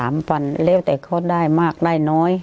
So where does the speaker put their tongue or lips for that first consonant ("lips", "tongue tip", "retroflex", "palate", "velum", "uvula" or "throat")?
lips